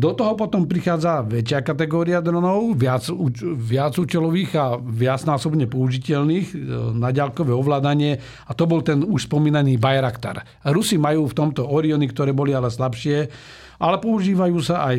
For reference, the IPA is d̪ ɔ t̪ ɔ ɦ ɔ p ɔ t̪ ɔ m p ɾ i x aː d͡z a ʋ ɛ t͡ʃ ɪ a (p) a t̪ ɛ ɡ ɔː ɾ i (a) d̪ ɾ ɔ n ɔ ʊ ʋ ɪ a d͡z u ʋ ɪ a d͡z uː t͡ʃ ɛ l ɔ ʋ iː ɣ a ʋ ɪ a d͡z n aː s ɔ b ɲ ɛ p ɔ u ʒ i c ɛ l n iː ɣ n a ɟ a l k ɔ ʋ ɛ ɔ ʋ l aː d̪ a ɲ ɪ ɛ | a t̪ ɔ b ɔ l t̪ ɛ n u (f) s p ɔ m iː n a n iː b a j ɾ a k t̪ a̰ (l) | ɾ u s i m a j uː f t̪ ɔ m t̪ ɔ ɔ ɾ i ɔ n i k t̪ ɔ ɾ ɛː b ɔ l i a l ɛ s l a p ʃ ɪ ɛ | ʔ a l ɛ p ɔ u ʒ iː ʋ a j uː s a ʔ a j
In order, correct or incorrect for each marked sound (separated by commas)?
incorrect, correct, incorrect, incorrect